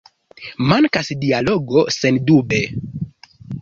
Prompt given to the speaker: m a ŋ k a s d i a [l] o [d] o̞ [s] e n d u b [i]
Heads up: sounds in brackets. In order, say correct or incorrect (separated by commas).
correct, incorrect, correct, incorrect